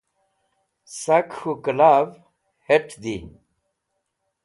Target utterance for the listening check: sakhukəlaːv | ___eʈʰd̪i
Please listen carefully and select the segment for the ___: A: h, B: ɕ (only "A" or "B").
A